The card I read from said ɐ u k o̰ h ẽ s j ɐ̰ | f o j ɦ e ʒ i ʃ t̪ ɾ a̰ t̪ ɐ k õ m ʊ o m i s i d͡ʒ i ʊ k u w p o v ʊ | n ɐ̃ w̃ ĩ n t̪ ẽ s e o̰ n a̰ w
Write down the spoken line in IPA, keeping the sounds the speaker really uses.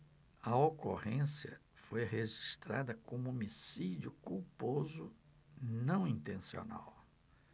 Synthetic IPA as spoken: ɐ o k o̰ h ẽ s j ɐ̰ | f o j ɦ e ʒ i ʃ t̪ ɾ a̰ d̪ ɐ k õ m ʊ o m i s i d͡ʒ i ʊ k u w p o z ʊ | n ɐ̃ w̃ ĩ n t̪ ẽ s i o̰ n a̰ w